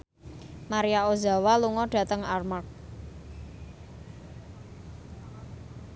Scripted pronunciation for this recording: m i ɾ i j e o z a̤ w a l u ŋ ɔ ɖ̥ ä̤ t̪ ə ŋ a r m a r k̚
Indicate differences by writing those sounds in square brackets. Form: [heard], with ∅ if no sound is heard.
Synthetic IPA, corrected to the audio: m [a] ɾ i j [a] o z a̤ w a l u ŋ ɔ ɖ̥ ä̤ t̪ ə ŋ a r m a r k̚